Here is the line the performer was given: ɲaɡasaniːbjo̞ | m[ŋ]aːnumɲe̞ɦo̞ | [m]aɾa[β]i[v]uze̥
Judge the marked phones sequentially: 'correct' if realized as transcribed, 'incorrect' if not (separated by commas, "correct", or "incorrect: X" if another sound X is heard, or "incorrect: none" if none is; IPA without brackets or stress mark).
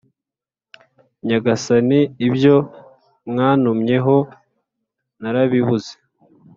correct, incorrect: n, correct, incorrect: β